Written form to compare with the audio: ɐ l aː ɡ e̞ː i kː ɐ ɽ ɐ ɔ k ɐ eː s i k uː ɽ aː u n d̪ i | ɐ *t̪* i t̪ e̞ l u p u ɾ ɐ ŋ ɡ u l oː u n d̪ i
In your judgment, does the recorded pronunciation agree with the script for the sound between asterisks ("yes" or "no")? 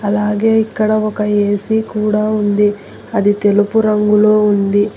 no